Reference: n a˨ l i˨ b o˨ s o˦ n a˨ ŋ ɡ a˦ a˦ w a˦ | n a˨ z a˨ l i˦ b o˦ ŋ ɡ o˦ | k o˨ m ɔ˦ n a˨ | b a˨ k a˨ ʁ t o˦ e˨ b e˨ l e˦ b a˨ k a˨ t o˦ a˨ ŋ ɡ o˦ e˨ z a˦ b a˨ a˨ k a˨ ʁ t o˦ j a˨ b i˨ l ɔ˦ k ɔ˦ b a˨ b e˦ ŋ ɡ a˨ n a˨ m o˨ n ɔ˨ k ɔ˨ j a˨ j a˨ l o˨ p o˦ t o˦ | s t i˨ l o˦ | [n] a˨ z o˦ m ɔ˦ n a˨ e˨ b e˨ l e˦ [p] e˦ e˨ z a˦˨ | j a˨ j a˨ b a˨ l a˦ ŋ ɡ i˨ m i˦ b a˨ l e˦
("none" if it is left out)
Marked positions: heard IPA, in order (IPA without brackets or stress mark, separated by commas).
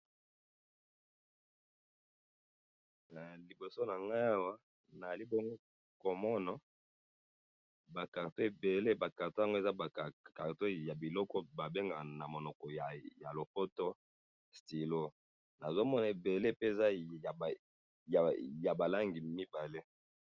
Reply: n, p